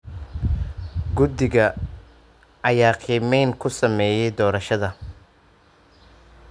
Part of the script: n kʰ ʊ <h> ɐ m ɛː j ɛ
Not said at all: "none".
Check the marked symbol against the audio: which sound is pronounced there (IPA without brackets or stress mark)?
s